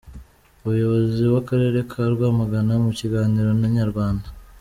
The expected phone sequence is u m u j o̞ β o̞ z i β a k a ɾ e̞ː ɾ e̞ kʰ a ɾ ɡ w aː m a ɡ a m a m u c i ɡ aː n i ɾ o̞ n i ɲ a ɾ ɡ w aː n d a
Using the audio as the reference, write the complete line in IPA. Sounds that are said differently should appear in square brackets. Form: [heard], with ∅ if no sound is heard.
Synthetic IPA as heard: u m u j o̞ β o̞ z i [w] a k a ɾ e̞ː ɾ e̞ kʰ a ɾ ɡ w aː m a ɡ a [n] a m u c i ɡ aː n i ɾ o̞ n [a] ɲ a ɾ ɡ w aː n d a